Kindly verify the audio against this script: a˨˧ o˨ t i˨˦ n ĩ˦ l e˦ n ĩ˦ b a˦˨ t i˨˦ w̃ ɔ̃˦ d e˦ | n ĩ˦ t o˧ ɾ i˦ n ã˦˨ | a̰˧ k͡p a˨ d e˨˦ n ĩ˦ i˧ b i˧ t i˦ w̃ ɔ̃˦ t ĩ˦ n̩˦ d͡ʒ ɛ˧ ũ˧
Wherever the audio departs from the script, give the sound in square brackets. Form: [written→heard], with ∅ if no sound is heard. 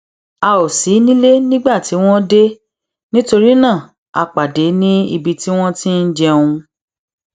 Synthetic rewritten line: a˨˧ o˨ [t→s] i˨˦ n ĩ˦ l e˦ n ĩ˦ [b→ɡ͡b] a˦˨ t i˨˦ w̃ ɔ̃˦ d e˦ | n ĩ˦ t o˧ ɾ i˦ n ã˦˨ | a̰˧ k͡p a˨ d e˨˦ n ĩ˦ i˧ b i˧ t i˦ w̃ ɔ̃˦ t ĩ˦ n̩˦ d͡ʒ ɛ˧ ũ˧